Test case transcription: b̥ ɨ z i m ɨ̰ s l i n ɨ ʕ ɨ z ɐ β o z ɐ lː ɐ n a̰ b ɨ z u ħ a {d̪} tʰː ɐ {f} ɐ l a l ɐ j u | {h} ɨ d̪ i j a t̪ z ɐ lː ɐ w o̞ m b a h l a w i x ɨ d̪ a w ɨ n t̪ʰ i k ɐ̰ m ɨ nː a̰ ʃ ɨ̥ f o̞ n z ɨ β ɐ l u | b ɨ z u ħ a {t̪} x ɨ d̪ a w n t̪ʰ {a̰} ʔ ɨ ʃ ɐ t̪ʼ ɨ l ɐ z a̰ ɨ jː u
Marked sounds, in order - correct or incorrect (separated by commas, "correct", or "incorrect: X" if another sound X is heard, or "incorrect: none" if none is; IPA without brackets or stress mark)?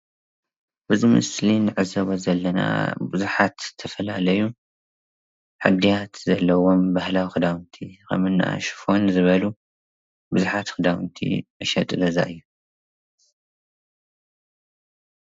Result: incorrect: t̪, correct, incorrect: ħ, correct, incorrect: ḭ